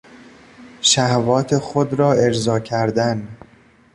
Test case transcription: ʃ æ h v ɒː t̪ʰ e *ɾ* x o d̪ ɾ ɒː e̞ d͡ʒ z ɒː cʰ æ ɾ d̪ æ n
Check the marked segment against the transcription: incorrect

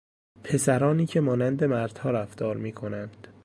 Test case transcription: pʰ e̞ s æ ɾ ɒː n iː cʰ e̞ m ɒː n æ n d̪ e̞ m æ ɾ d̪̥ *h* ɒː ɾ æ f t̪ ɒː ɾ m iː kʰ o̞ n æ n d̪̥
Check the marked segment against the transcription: correct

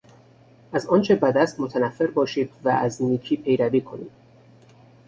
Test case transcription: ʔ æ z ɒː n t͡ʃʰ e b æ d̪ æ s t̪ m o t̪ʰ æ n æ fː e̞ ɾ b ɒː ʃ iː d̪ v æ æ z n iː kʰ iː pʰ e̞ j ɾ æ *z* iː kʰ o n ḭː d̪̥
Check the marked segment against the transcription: incorrect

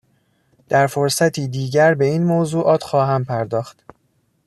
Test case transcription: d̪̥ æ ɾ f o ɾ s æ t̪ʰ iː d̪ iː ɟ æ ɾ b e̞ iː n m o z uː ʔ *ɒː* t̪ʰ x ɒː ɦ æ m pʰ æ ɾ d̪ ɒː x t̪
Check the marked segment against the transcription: correct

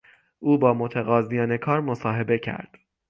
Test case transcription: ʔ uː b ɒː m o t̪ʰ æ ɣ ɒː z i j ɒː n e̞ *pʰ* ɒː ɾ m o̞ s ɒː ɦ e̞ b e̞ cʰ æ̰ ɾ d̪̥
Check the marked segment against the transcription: incorrect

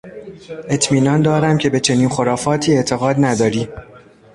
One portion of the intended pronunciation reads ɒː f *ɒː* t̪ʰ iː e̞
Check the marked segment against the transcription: correct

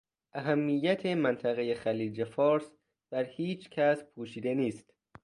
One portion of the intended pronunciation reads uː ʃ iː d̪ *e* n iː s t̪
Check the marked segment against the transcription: correct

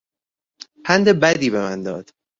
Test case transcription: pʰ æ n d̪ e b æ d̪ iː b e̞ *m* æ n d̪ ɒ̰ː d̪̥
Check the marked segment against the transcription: correct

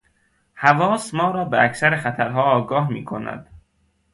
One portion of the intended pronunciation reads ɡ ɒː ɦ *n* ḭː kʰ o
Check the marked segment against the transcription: incorrect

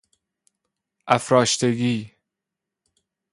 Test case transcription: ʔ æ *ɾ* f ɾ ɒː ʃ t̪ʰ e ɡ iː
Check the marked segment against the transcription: incorrect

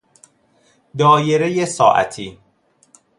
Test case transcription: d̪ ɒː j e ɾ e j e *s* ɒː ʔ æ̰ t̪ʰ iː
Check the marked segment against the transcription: correct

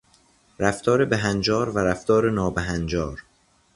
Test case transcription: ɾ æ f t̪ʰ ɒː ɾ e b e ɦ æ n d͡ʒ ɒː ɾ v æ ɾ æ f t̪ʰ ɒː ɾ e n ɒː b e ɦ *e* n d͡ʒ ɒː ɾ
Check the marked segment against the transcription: incorrect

